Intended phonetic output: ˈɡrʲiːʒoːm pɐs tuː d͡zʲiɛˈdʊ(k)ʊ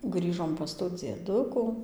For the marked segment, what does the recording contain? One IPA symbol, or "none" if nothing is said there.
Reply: k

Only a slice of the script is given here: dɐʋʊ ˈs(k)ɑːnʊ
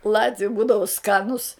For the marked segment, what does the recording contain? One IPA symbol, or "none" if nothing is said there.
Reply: k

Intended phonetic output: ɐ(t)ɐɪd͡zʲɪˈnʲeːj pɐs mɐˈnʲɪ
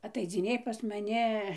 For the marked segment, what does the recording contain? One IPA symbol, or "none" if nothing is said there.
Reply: t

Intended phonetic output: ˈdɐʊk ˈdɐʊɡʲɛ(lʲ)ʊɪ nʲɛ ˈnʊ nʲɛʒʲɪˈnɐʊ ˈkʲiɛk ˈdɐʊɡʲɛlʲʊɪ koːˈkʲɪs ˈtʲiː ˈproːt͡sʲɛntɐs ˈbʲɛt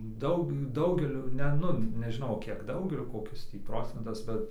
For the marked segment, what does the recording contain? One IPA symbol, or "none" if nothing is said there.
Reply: lʲ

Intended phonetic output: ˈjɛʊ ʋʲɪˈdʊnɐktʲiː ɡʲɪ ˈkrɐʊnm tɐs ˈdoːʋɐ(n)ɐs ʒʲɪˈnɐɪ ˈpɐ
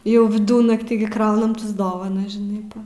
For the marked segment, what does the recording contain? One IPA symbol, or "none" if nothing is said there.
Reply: n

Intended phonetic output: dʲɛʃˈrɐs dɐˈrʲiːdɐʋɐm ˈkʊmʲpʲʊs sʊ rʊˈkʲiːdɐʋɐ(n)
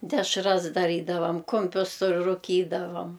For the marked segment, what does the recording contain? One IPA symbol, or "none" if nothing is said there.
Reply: m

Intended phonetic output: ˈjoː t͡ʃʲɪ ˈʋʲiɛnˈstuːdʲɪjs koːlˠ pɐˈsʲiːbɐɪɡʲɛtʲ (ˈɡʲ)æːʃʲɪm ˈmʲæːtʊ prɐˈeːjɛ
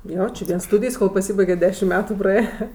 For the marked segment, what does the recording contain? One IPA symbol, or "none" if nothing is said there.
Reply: dʲ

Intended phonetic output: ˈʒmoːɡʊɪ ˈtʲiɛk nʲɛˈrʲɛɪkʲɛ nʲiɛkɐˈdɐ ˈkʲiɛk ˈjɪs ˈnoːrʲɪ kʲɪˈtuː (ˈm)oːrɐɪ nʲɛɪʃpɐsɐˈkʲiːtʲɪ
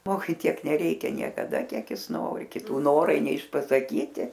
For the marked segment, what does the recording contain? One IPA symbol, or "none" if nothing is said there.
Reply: n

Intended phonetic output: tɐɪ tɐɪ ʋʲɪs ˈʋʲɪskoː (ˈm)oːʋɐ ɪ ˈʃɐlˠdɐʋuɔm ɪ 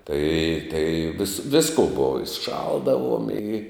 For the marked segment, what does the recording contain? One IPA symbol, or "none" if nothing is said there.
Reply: b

